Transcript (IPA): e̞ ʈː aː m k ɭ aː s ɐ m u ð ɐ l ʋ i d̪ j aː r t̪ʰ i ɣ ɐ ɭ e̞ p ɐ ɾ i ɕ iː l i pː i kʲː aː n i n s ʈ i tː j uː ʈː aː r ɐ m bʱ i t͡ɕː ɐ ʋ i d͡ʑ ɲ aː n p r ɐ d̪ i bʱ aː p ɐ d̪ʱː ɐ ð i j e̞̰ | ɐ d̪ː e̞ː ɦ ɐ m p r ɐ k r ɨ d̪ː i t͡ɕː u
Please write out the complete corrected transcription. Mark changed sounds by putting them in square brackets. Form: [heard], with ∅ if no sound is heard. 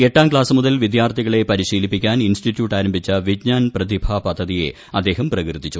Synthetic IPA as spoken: e̞ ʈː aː m k ɭ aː s ɐ m u ð ɐ l ʋ i d̪ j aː r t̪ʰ i ɣ ɐ ɭ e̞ p ɐ ɾ i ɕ iː l i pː i kʲː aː n i n s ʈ i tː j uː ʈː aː [ɾ] ɐ m bʱ i t͡ɕː ɐ ʋ i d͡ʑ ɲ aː n p r ɐ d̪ i bʱ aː p ɐ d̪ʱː ɐ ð i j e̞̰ | ɐ d̪ː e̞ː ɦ ɐ m p r ɐ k r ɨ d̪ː i t͡ɕː u